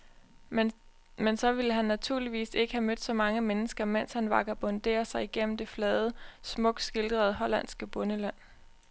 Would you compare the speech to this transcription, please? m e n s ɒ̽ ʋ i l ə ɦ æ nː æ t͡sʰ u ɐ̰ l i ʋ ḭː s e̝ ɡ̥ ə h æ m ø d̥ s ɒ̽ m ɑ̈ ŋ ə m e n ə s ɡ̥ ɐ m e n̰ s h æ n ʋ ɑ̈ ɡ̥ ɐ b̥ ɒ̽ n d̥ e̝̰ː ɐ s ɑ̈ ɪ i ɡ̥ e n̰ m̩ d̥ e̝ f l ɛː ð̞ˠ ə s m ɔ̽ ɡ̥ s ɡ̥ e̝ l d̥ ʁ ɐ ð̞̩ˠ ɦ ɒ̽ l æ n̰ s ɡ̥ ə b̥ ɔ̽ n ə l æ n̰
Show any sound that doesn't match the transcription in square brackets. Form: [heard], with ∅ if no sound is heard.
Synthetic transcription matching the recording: m e n s ɒ̽ ʋ i l ə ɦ æ nː æ t͡sʰ u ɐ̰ l i ʋ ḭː s e̝ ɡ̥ ə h æ m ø d̥ s ɒ̽ m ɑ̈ ŋ ə m e n ə s ɡ̥ ɐ m e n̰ s h æ n ʋ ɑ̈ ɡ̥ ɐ b̥ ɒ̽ n d̥ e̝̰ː ɐ s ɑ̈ ɪ i ɡ̥ e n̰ m̩ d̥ e̝ f l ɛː ð̞ˠ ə s m ɔ̽ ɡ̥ s ɡ̥ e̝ l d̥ ʁ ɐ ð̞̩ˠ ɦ ɒ̽ l æ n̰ s ɡ̥ ə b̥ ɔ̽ n ə l æ n̰

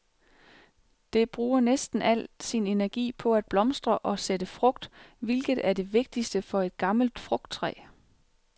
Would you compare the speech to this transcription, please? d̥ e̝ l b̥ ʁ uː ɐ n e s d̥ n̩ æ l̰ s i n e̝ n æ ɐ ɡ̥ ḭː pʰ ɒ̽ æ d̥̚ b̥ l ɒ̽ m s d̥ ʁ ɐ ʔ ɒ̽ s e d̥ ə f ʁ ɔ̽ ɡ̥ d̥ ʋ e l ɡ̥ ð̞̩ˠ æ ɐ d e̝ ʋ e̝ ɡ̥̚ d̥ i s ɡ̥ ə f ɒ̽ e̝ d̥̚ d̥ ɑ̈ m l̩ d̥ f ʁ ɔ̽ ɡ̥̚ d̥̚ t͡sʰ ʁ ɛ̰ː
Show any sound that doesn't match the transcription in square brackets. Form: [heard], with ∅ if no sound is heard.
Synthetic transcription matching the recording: d̥ e̝ [∅] b̥ ʁ uː ɐ n e s d̥ n̩ æ l̰ s i n e̝ n æ ɐ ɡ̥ ḭː pʰ ɒ̽ æ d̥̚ b̥ l ɒ̽ m s d̥ ʁ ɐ ʔ ɒ̽ s e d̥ ə f ʁ ɔ̽ ɡ̥ d̥ ʋ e l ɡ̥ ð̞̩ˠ æ ɐ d e̝ ʋ e̝ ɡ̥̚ d̥ i s [d̥] ə f ɒ̽ e̝ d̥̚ [ɡ̥] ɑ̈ m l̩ d̥ f ʁ ɔ̽ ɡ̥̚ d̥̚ t͡sʰ ʁ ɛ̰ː

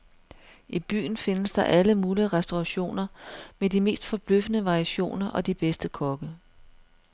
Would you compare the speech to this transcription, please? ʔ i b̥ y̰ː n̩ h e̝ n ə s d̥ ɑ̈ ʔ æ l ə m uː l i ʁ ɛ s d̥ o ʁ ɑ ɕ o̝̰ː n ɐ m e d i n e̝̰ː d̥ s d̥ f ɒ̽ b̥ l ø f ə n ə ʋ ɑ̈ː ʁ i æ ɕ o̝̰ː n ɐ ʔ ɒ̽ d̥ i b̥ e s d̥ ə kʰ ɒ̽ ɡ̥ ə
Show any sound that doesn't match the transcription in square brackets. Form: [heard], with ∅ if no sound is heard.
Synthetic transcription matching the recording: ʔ i b̥ y̰ː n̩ [f] e̝ n ə s d̥ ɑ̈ ʔ æ l ə m uː l i ʁ ɛ s d̥ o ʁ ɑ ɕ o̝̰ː n ɐ m e d i [m] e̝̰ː [∅] s d̥ f ɒ̽ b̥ l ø f ə n ə ʋ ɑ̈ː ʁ i æ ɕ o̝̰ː n ɐ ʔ ɒ̽ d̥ i b̥ e s d̥ ə kʰ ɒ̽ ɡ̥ ə

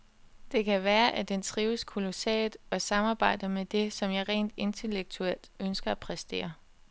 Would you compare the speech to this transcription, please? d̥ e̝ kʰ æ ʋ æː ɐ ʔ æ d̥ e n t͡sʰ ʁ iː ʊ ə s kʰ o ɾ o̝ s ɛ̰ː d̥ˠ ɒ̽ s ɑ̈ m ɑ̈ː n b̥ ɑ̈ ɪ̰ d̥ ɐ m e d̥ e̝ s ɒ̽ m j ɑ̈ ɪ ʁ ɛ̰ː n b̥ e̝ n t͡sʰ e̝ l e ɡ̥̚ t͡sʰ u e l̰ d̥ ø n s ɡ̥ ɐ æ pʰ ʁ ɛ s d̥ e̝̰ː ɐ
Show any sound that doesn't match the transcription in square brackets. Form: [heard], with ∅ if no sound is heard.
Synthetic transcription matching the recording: d̥ e̝ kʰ æ ʋ æː ɐ ʔ æ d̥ e n t͡sʰ ʁ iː ʊ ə s kʰ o [l] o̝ s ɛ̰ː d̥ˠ ɒ̽ s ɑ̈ m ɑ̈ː [∅] b̥ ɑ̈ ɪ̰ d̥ ɐ m e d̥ e̝ s ɒ̽ m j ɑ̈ ɪ ʁ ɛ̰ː n [d̥] e̝ n t͡sʰ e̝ l e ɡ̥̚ t͡sʰ u e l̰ d̥ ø n s ɡ̥ ɐ æ pʰ ʁ ɛ s d̥ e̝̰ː ɐ

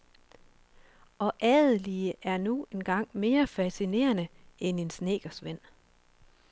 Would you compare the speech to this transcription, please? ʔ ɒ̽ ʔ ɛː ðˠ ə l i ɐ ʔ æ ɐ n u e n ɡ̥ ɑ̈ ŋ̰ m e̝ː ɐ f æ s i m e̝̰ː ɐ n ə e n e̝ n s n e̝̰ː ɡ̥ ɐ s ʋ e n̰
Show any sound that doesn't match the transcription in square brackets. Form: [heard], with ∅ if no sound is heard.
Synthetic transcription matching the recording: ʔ ɒ̽ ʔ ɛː ðˠ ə l i [ə] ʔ æ ɐ n u e n ɡ̥ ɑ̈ ŋ̰ m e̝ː ɐ f æ s i [n] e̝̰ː ɐ n ə e n e̝ n s n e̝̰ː ɡ̥ ɐ s ʋ e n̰

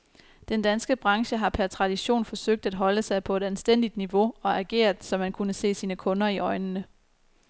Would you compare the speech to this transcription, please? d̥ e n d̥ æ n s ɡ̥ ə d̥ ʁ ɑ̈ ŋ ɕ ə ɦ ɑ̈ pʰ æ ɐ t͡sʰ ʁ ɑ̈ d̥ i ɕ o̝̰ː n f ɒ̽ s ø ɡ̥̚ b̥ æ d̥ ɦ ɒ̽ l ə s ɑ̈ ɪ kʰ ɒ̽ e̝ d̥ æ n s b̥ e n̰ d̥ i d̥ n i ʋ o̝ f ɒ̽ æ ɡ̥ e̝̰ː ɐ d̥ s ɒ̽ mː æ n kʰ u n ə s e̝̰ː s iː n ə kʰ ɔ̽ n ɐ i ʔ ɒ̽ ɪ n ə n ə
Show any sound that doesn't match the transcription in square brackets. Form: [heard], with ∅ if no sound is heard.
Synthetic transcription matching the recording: d̥ e n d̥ æ n s ɡ̥ ə [b̥] ʁ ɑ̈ ŋ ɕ ə ɦ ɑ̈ pʰ æ ɐ t͡sʰ ʁ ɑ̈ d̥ i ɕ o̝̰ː n f ɒ̽ s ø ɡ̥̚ [d̥] æ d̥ ɦ ɒ̽ l ə s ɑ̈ ɪ [pʰ] ɒ̽ e̝ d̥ æ n s [d̥] e n̰ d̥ i d̥ n i ʋ o̝ [∅] ɒ̽ æ ɡ̥ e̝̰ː ɐ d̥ s ɒ̽ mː æ n kʰ u n ə s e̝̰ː s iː n ə kʰ ɔ̽ n ɐ i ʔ ɒ̽ ɪ n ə n ə

